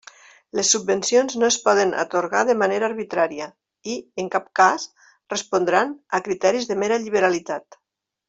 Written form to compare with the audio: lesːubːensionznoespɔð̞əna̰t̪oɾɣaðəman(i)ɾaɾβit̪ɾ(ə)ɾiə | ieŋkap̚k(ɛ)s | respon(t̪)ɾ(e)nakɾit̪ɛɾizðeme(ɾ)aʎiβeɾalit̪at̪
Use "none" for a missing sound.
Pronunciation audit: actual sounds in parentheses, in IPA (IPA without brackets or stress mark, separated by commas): e, a, a, d̪, a, ɾ